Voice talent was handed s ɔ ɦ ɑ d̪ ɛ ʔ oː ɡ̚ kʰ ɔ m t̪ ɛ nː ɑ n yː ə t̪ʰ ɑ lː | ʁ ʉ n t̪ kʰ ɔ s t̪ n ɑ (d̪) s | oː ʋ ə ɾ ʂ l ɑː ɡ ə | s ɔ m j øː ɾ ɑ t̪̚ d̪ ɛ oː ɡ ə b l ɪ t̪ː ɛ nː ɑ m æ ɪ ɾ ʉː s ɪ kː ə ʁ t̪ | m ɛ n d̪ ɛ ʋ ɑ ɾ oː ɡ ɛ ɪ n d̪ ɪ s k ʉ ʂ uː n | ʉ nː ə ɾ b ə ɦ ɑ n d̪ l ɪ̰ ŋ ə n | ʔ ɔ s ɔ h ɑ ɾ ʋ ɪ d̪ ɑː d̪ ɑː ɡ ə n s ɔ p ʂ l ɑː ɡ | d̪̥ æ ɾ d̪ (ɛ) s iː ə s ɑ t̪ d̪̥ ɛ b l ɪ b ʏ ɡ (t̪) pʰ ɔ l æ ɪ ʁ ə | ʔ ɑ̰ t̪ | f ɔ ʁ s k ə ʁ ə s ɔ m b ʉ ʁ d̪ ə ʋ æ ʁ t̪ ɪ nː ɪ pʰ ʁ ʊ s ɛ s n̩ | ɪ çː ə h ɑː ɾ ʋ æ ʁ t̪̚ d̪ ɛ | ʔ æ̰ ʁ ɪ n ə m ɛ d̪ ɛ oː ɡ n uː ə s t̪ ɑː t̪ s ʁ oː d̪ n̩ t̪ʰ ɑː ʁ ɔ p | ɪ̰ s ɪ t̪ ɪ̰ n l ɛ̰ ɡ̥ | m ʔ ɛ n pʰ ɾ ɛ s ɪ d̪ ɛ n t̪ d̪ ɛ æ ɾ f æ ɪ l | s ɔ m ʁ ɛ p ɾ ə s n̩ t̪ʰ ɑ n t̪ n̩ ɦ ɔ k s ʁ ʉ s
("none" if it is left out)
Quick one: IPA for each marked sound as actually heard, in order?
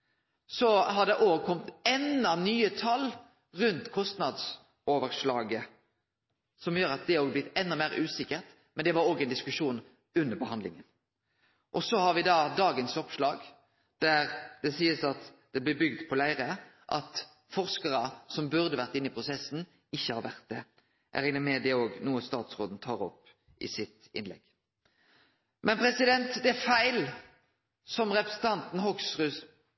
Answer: d̪, ɛ, d̪

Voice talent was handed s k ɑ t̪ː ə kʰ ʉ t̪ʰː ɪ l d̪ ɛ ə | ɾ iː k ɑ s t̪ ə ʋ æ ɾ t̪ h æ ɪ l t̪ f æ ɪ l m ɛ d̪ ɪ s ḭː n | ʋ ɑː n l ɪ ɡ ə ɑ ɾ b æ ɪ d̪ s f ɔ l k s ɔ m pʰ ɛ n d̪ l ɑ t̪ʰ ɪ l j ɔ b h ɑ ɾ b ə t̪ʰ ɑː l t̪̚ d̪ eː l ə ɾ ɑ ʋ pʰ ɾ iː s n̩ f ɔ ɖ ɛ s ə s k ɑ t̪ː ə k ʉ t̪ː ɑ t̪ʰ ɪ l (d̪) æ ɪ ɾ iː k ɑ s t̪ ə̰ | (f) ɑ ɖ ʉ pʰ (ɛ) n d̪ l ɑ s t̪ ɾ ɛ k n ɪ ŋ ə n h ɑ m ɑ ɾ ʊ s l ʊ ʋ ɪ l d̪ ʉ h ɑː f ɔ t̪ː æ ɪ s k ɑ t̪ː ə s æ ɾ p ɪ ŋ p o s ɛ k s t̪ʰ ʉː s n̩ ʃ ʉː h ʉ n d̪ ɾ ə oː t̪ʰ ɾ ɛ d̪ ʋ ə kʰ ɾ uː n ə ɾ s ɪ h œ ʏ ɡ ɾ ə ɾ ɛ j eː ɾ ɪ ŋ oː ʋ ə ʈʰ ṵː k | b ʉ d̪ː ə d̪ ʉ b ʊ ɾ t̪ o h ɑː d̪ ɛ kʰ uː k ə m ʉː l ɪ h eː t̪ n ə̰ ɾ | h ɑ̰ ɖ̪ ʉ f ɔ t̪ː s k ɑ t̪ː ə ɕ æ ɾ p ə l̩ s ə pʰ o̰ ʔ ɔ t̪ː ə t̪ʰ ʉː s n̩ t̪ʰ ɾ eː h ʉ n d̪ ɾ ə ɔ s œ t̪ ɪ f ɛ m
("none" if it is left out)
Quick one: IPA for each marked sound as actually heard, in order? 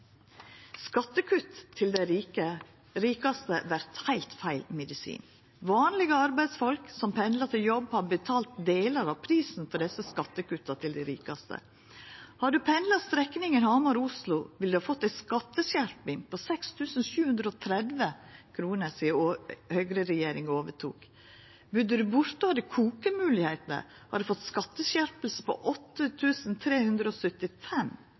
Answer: d̪, h, ɛ

